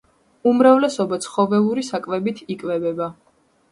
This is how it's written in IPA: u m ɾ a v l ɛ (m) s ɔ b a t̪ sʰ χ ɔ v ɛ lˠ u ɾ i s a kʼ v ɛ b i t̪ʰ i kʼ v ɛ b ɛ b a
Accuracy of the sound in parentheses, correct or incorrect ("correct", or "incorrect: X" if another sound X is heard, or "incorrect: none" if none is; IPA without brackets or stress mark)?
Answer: incorrect: none